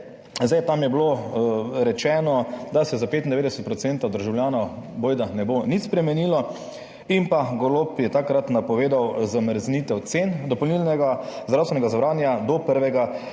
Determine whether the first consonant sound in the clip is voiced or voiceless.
voiced